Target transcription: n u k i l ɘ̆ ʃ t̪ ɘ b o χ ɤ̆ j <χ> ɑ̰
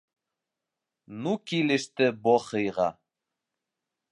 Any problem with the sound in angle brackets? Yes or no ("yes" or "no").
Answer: yes